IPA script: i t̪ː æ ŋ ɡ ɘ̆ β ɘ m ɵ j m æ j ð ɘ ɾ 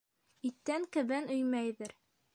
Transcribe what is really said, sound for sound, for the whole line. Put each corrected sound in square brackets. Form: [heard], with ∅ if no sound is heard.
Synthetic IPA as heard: i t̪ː æ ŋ [k] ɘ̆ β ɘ [n] ɵ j m æ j ð ɘ ɾ